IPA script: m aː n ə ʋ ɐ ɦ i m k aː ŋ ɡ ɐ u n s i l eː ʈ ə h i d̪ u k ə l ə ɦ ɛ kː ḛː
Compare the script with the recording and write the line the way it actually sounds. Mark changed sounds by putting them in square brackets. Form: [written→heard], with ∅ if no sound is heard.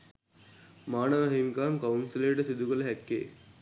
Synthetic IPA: m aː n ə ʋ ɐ ɦ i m k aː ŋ [ɡ→k] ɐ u n s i l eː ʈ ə [h→s] i d̪ u k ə l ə ɦ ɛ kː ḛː